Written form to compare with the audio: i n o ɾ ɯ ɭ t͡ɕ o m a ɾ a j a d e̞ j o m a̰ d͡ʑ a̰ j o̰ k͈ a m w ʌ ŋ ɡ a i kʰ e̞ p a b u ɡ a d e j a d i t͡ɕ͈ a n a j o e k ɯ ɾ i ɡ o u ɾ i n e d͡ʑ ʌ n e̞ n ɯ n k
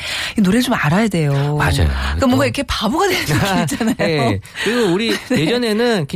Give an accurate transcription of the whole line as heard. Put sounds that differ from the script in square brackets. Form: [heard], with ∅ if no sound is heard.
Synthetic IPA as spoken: i n o ɾ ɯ ɭ t͡ɕ o m a ɾ a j a d e̞ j o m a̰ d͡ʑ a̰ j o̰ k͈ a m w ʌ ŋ ɡ a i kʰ e̞ p a b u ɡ a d e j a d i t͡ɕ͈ a n a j o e k ɯ ɾ i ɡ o u ɾ i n e d͡ʑ ʌ n e̞ n ɯ n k